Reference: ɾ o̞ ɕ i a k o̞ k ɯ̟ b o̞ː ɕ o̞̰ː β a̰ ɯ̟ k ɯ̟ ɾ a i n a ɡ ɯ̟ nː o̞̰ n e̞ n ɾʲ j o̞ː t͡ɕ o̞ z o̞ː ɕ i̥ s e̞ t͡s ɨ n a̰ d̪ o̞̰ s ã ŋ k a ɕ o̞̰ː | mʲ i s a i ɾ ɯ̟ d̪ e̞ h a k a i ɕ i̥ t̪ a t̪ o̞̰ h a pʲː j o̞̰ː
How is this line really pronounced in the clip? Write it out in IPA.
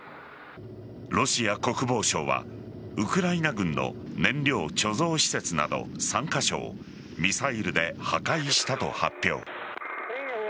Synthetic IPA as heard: ɾ o̞ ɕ i a k o̞ k ɯ̟ b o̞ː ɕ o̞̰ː β a̰ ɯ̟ k ɯ̟ ɾ a i n a ɡ ɯ̟̃ nː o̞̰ n ẽ̞ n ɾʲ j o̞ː t͡ɕ o̞ z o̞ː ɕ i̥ s e̞ t͡s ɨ n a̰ d̪ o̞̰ s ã ŋ k a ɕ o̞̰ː | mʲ i s a i ɾ ɯ̟ d̪ e̞ h a k a i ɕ i̥ t̪ a t̪ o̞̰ h a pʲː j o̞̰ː